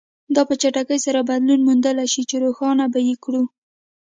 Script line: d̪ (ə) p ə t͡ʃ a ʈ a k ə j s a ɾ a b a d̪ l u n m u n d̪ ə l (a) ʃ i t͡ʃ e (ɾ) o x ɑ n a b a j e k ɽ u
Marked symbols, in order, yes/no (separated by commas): no, yes, yes